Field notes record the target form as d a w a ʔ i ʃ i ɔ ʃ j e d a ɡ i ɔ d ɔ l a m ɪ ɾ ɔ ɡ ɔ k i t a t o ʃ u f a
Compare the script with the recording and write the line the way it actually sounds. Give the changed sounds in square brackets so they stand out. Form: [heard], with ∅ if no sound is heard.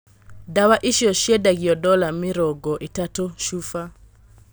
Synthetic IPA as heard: d a w a ʔ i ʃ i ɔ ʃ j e d a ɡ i ɔ d ɔ l a m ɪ ɾ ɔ ɡ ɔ [ʔ] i t a t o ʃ u f a